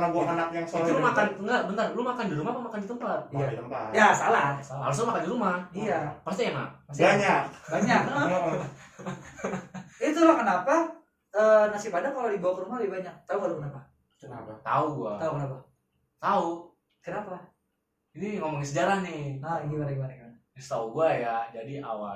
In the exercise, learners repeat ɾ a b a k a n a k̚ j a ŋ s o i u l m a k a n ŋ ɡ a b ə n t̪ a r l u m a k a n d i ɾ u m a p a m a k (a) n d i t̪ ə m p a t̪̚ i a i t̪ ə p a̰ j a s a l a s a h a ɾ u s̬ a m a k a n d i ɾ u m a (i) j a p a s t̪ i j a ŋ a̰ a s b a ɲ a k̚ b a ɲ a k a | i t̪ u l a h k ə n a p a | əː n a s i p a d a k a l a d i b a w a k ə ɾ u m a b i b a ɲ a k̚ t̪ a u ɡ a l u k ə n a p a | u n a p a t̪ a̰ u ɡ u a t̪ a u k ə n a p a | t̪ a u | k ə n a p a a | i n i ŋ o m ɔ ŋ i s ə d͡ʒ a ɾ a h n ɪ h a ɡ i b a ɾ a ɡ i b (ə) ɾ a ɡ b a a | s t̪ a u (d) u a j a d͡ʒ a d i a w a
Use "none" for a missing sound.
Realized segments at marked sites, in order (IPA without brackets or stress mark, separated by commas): a, i, a, ɡ